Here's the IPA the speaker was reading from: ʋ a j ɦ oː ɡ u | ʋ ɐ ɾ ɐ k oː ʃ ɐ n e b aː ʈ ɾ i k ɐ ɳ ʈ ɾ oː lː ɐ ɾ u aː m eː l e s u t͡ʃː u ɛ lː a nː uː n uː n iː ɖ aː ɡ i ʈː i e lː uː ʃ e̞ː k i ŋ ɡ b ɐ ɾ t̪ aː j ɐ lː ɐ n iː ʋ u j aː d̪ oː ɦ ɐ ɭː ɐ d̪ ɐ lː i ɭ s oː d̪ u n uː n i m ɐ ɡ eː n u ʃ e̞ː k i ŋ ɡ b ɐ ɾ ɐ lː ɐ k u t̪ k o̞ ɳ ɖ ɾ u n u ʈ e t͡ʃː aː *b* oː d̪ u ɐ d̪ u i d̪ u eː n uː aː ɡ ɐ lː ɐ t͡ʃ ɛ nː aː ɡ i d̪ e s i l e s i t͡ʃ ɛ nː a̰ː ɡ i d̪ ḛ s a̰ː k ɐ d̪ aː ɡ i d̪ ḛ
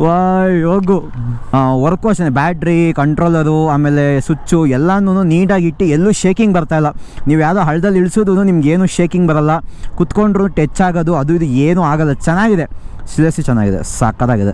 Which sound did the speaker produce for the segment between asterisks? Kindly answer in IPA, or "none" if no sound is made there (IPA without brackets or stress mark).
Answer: ɡ